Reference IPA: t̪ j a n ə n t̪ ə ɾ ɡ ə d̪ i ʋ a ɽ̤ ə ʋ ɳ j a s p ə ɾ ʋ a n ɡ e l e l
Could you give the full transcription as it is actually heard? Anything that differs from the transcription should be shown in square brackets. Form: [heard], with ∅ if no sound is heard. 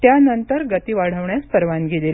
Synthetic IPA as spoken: t̪ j a n ə n t̪ ə ɾ ɡ ə [t̪] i ʋ a ɽ̤ ə ʋ ɳ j a s p ə ɾ ʋ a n ɡ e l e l